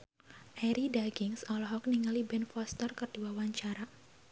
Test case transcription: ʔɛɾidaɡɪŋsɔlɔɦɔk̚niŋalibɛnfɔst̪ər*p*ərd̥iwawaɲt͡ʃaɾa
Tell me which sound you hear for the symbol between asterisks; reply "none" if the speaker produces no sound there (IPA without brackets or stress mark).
k